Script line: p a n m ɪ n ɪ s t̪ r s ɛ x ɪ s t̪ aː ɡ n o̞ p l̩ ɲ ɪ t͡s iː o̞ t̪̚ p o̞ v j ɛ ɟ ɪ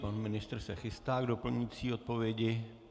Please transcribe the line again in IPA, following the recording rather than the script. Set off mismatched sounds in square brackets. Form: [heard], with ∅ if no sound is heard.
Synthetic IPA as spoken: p a n m ɪ n ɪ s t̪ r s ɛ x ɪ s t̪ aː ɡ [d] o̞ p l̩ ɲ ɪ t͡s iː o̞ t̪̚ p o̞ v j ɛ ɟ ɪ

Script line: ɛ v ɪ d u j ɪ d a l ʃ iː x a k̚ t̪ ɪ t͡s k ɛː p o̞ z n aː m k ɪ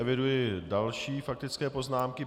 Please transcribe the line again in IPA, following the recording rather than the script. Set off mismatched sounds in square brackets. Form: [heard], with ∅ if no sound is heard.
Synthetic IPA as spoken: ɛ v ɪ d u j ɪ d a l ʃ iː [f] a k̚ t̪ ɪ t͡s k ɛː p o̞ z n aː m k ɪ

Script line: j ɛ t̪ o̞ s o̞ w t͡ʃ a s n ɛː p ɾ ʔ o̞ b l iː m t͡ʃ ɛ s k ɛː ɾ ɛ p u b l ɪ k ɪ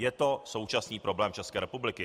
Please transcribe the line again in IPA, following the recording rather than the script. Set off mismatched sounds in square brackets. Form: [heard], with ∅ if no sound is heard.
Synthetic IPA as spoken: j ɛ t̪ o̞ s o̞ w t͡ʃ a s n [iː] p ɾ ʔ o̞ b l [ɛː] m t͡ʃ ɛ s k ɛː ɾ ɛ p u b l ɪ k ɪ

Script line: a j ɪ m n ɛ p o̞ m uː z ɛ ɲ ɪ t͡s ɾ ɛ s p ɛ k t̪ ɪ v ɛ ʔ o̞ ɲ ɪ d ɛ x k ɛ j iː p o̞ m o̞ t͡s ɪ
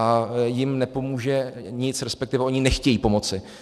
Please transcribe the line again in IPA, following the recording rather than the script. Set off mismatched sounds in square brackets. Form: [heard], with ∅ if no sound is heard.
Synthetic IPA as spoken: a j ɪ m n ɛ p o̞ m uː [ʒ] ɛ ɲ ɪ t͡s ɾ ɛ s p ɛ k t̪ ɪ v ɛ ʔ o̞ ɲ ɪ [n] ɛ x [c] ɛ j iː p o̞ m o̞ t͡s ɪ

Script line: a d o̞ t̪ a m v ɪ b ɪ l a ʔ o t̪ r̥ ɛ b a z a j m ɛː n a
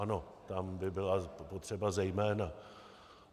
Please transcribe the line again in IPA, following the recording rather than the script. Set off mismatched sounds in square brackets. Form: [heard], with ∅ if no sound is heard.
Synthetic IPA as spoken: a [n] o̞ t̪ a m [b] ɪ b ɪ l a [p] o t̪ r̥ ɛ b a z [ɛ] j m ɛː n a

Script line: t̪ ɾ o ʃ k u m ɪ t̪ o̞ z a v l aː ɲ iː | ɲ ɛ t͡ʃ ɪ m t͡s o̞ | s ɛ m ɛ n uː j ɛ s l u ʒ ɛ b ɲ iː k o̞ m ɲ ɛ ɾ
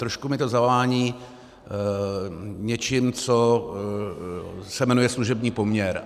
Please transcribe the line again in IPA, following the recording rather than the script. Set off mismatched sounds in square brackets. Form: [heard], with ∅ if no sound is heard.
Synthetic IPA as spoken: t̪ ɾ o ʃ k u m ɪ t̪ o̞ z a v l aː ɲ iː | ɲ ɛ t͡ʃ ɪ m t͡s o̞ | s ɛ m ɛ n [u] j ɛ s l u ʒ ɛ b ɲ iː [p] o̞ m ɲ ɛ ɾ

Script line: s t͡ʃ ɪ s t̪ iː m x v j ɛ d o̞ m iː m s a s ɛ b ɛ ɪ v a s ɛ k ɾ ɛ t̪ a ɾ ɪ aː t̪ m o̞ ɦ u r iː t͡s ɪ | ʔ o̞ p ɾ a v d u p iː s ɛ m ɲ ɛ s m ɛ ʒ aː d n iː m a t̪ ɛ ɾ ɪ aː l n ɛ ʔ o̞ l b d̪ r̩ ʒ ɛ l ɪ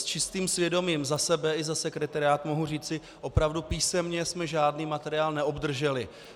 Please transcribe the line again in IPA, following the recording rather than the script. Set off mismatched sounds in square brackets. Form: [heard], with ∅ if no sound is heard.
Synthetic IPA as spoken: s t͡ʃ ɪ s t̪ iː m [s] v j ɛ d o̞ m iː m [z] a s ɛ b ɛ ɪ [z] a s ɛ k ɾ ɛ t̪ a ɾ ɪ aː t̪ m o̞ ɦ u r iː t͡s ɪ | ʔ o̞ p ɾ a v d u p iː s ɛ m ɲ ɛ s m ɛ ʒ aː d n iː m a t̪ ɛ ɾ ɪ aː l n ɛ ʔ o̞ [∅] b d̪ r̩ ʒ ɛ l ɪ

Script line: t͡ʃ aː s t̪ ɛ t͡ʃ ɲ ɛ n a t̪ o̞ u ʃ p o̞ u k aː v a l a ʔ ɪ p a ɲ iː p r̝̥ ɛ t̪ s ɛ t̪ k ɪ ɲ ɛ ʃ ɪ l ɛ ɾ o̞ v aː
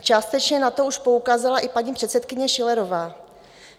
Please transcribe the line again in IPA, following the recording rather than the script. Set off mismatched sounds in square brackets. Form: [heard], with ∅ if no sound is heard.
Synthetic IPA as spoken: t͡ʃ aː s t̪ ɛ t͡ʃ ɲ ɛ n a t̪ o̞ u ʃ p o̞ u k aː [z] a l a ʔ ɪ p a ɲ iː p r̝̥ ɛ t̪ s ɛ t̪ k ɪ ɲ ɛ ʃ ɪ l ɛ ɾ o̞ v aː

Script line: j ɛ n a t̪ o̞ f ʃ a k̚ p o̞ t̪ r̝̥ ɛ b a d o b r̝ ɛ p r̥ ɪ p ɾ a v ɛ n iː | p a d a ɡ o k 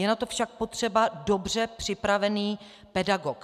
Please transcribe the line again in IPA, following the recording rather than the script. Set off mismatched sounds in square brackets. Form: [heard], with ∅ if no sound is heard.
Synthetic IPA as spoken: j ɛ n a t̪ o̞ f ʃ a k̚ p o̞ t̪ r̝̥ ɛ b a d o b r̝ ɛ p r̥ ɪ p ɾ a v ɛ n iː | p [ɛ] d a ɡ o k

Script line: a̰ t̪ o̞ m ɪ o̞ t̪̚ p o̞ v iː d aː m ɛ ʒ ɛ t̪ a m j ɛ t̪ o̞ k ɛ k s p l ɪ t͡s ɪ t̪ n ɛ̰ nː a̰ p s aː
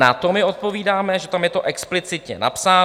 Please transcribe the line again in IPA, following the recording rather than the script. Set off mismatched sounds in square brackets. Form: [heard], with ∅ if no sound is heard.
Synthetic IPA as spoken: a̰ t̪ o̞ m ɪ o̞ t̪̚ p o̞ v iː d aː m ɛ ʒ ɛ t̪ a m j ɛ t̪ o̞ [ʔ] ɛ k s p l ɪ t͡s ɪ t̪ [ɲ] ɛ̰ [n] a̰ p s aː

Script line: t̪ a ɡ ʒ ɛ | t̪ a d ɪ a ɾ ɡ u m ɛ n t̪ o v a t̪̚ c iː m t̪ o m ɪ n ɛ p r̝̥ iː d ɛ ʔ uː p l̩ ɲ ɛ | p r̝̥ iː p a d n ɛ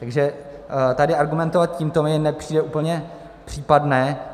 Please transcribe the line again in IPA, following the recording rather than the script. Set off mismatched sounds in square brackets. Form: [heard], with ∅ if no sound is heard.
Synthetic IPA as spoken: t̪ a ɡ ʒ ɛ | t̪ a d ɪ a ɾ ɡ u m ɛ n t̪ o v a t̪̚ c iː m t̪ o m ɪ n ɛ p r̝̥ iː d ɛ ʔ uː p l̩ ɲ ɛ | p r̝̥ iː p a d n [ɛː]

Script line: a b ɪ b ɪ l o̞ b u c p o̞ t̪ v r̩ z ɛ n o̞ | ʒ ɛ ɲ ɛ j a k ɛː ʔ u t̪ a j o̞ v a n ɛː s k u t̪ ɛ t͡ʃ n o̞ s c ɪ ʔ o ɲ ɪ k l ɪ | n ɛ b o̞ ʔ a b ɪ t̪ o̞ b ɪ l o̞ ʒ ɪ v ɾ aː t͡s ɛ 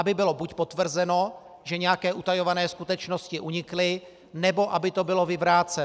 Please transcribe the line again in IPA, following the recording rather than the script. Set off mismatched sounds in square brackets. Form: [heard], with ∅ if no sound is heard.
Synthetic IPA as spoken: a b ɪ b ɪ l o̞ b u c p o̞ t̪ v r̩ z ɛ n o̞ | ʒ ɛ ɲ ɛ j a k ɛː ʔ u t̪ a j o̞ v a n ɛː s k u t̪ ɛ t͡ʃ n o̞ s c ɪ ʔ [u] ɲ ɪ k l ɪ | n ɛ b o̞ ʔ a b ɪ t̪ o̞ b ɪ l o̞ [v] ɪ v ɾ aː t͡s ɛ

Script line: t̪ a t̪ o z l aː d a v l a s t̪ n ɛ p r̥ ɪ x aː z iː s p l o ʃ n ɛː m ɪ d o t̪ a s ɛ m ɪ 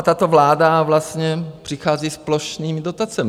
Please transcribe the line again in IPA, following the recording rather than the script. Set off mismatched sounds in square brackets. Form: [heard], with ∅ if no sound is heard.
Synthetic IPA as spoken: t̪ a t̪ o [v] l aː d a v l a s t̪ [ɲ] ɛ p r̥ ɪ x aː z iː s p l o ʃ n [iː] m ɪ d o t̪ a [t͡s] ɛ m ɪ

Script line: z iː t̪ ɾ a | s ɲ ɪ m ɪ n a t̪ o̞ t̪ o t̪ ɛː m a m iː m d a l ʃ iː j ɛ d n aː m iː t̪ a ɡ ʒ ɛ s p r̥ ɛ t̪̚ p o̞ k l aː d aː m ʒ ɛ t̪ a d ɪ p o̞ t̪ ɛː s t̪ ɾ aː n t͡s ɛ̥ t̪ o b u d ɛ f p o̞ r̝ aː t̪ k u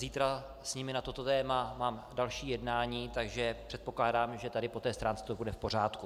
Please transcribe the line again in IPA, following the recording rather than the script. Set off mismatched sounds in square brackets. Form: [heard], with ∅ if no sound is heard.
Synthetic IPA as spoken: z iː t̪ ɾ a | s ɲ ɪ m ɪ n a t̪ o̞ t̪ o t̪ ɛː m a m [aː] m d a l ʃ iː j ɛ d n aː [ɲ] iː t̪ a ɡ ʒ ɛ [∅] p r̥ ɛ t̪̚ p o̞ k l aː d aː m ʒ ɛ t̪ a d ɪ p o̞ t̪ ɛː s t̪ ɾ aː n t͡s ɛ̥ t̪ o b u d ɛ f p o̞ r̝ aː t̪ k u

